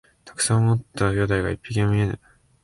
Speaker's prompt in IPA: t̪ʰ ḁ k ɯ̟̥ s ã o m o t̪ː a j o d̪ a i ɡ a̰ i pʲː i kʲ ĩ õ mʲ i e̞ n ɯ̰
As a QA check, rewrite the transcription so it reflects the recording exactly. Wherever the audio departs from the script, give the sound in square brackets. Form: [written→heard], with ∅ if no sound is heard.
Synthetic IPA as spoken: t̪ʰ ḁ k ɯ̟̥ s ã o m o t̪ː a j o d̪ a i ɡ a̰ i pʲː i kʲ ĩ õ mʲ i e̞ n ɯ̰